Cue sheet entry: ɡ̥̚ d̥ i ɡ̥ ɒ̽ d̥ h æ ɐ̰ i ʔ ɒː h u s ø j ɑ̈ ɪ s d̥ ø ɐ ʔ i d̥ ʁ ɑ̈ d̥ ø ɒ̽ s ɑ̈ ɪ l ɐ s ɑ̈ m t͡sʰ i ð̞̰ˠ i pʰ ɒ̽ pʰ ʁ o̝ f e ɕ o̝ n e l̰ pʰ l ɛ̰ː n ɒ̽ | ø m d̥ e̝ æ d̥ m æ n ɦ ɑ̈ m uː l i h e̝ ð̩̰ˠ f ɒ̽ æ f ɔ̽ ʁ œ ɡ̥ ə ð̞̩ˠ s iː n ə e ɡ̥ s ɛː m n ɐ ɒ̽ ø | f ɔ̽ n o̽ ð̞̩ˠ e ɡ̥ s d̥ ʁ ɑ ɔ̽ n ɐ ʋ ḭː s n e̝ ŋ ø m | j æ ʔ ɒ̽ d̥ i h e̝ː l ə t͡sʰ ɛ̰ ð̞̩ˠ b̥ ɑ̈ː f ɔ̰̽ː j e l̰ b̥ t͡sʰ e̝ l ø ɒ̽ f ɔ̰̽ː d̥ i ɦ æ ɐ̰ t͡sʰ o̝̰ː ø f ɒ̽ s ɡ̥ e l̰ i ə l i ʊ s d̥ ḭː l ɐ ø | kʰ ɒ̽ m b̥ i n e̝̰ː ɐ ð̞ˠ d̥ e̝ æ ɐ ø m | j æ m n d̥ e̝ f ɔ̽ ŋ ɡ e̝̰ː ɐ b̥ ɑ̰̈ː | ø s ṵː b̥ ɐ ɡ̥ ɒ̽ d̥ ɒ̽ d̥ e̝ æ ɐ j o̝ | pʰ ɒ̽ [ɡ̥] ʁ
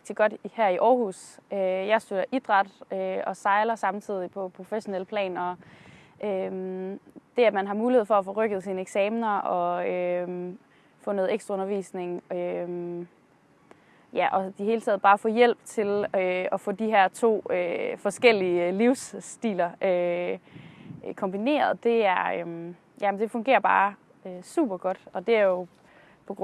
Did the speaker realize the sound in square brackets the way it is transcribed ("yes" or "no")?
yes